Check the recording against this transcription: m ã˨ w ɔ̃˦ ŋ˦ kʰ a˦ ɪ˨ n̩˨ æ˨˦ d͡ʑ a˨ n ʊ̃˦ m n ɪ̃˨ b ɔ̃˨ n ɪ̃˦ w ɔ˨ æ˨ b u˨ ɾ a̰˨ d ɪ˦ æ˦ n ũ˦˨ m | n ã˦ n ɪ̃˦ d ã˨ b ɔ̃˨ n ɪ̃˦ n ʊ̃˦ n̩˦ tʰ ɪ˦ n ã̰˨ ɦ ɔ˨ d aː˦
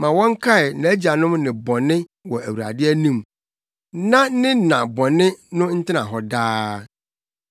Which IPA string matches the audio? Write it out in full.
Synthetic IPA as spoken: m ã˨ w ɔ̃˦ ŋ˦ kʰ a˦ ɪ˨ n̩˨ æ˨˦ d͡ʑ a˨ n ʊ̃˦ m n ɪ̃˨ b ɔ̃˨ n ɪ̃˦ w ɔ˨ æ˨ w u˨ ɾ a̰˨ d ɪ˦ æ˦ n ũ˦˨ m | n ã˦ n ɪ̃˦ n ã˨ b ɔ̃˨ n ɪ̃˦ n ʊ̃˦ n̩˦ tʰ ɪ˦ n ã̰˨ ɦ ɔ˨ d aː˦

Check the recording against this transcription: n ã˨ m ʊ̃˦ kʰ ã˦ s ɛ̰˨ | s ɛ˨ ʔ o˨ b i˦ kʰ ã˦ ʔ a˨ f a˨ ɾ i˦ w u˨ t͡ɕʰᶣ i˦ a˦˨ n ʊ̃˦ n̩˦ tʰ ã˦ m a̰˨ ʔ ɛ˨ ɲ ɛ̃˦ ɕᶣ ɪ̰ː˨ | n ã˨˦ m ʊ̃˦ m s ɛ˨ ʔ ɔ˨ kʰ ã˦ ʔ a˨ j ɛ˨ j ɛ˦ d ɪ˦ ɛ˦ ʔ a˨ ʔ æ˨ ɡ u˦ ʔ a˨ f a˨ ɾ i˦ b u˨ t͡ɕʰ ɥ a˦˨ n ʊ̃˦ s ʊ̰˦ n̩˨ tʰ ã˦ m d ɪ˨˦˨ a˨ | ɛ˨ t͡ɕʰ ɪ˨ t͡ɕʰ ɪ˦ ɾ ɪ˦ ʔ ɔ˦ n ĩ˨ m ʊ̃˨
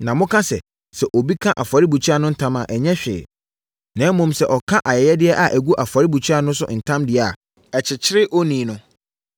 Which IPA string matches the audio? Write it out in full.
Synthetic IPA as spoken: n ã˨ m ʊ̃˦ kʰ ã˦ s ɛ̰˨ | s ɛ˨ ʔ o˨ b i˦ kʰ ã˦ ʔ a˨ f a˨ ɾ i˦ b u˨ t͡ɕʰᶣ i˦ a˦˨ n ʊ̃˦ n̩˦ tʰ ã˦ m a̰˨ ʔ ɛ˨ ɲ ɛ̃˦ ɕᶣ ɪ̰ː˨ | n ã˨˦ m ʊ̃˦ m s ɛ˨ ʔ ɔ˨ kʰ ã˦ ʔ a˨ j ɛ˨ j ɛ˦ d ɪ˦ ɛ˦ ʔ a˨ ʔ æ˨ ɡ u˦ ʔ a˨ f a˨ ɾ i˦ b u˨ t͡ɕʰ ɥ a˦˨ n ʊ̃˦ s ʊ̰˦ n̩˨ tʰ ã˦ m d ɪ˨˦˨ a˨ | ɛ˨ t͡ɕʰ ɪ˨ t͡ɕʰ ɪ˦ ɾ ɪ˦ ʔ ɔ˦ n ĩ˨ n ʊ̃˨

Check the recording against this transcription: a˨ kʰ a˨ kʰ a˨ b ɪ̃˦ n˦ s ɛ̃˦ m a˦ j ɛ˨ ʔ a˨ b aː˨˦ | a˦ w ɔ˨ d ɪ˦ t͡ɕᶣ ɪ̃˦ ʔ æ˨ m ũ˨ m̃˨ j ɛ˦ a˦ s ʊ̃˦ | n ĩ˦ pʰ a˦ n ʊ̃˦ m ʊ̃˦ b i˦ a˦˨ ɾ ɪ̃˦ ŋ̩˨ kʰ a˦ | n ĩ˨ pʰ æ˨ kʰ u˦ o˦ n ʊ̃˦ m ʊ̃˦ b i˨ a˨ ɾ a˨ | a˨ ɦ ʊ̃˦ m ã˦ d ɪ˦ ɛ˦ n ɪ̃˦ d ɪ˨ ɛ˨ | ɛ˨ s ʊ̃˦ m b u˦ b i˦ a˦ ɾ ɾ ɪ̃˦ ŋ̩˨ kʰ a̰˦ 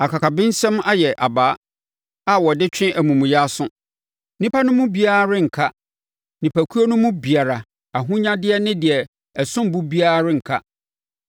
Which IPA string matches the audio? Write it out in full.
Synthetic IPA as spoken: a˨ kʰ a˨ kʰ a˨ b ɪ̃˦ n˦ s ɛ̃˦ m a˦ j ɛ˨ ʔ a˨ b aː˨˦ | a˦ w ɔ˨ d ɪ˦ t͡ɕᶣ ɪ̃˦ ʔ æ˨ m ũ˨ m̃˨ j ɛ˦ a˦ s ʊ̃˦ | n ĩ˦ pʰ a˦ n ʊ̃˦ m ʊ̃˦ b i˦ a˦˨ ɾ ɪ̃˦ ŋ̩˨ kʰ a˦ | n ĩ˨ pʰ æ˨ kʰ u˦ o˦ n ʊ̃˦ m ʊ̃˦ b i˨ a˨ ɾ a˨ | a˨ ɦ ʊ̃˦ ɲ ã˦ d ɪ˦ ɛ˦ n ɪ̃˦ d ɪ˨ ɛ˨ | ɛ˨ s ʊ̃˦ m b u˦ b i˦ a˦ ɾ ɾ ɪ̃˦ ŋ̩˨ kʰ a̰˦

